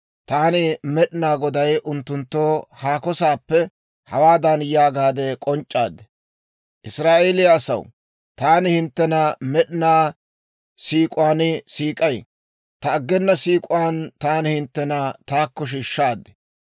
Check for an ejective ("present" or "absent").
present